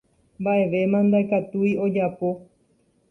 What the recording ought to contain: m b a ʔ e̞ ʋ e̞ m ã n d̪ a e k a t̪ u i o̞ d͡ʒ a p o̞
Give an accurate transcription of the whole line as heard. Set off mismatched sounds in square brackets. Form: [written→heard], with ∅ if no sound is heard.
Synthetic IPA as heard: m b a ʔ e̞ ʋ e̞ m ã n d̪ a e k a t̪ u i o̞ d͡ʒ a p o̞

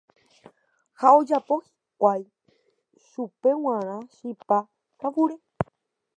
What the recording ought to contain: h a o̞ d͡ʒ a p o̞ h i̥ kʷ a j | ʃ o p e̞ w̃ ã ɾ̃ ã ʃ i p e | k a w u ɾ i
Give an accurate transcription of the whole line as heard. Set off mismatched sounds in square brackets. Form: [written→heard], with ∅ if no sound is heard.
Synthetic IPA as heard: h a o̞ d͡ʒ a p o̞ h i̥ kʷ a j | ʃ [o→u] p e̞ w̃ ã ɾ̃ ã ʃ i p [e→a] | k a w u ɾ [i→e]

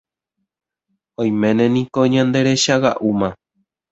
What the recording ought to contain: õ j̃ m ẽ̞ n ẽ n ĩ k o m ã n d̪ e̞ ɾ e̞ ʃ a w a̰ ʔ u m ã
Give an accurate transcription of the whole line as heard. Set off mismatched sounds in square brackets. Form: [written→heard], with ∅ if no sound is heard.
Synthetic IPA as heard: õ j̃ m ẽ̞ n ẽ n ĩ k o [m→ɲ] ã n d̪ e̞ ɾ e̞ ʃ a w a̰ ʔ u m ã

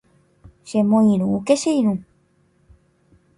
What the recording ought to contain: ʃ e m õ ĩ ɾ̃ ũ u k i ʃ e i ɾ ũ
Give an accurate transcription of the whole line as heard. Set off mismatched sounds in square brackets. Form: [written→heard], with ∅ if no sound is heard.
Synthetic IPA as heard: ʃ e m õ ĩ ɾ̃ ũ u k [i→e] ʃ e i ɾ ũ

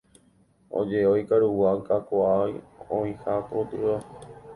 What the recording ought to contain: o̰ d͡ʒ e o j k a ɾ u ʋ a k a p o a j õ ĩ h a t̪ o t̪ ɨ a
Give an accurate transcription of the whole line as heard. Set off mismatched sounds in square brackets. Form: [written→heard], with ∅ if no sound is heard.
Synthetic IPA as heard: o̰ d͡ʒ e o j k a ɾ u [ʋ→w] a k a [p→k] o a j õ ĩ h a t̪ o t̪ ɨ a

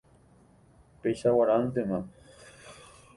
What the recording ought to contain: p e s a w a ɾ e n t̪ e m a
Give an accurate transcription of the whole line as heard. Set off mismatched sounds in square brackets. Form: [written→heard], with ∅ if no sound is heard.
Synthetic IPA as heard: p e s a w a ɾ [e→a] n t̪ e m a

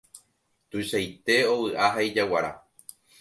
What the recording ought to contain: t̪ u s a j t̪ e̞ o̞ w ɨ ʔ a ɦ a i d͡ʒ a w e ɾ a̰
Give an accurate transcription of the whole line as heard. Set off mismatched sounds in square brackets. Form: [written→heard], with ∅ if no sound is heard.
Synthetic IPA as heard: t̪ u [s→ʃ] a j t̪ e̞ o̞ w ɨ ʔ a ɦ a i d͡ʒ a w [e→a] ɾ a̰

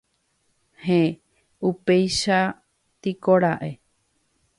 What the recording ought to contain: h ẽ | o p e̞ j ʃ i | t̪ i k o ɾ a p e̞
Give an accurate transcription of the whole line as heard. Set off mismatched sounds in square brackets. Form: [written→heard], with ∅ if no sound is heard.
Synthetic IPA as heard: h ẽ | [o→u] p e̞ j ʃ [i→a] | t̪ i k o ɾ a [p→ʔ] e̞

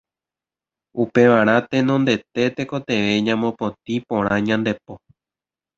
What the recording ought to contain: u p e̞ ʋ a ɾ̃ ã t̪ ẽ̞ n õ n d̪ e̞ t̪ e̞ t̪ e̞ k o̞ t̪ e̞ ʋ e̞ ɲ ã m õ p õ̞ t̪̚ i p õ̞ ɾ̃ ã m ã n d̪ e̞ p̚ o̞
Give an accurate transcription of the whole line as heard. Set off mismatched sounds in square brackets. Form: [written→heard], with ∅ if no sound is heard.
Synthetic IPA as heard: u p e̞ ʋ a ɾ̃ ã t̪ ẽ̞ n õ n d̪ e̞ t̪ e̞ t̪ e̞ k o̞ t̪ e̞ ʋ e̞ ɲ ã m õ p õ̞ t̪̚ i p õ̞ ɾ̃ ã [m→ɲ] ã n d̪ e̞ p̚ o̞

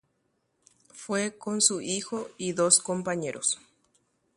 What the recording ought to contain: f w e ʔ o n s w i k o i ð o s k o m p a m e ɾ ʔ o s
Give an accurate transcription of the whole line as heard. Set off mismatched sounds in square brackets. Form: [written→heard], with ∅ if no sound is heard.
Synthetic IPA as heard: f w e [ʔ→k] o n s [w→u] i [k→x] o i ð o s k o m p a [m→ɲ] e ɾ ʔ o s

